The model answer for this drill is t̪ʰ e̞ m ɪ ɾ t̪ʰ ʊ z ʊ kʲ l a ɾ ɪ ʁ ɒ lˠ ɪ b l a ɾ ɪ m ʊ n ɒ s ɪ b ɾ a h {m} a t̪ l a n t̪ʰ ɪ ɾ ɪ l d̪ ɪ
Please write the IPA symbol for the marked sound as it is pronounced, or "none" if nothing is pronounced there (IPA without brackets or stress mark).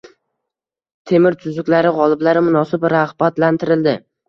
b